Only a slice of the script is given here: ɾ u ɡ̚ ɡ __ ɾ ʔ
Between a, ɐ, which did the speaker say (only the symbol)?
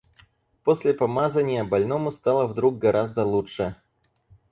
ɐ